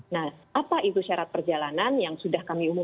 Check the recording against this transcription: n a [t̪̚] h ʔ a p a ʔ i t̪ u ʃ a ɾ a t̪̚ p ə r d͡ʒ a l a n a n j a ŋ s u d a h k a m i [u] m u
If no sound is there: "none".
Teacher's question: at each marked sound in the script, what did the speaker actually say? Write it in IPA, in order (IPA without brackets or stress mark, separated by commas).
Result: none, u